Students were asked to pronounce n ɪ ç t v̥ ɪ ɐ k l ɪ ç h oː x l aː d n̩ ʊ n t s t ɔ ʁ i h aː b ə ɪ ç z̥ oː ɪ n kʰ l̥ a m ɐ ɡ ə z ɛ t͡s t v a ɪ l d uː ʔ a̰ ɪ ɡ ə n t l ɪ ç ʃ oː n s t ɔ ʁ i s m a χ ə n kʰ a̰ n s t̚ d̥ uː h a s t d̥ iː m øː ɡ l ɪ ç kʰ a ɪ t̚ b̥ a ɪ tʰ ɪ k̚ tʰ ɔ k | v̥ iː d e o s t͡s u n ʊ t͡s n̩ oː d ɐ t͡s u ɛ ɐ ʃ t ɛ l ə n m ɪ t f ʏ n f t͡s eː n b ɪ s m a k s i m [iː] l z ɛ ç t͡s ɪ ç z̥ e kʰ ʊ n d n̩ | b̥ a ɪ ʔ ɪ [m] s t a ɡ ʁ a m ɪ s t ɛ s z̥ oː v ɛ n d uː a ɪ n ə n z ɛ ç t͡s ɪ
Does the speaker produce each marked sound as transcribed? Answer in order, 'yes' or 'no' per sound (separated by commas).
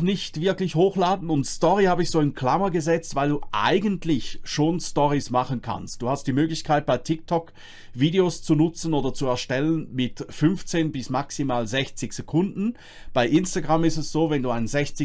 no, no